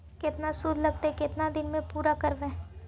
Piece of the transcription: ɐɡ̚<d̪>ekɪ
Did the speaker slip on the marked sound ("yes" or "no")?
yes